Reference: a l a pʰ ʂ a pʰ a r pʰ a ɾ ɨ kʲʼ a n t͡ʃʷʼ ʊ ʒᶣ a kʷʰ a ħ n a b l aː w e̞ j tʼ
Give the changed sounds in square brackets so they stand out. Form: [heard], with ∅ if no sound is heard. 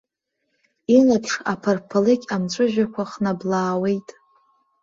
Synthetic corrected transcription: [i] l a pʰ ʂ a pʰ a r pʰ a [l] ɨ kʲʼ a [m] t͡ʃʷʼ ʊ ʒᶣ a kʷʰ a [χ] n a b l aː w e̞ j tʼ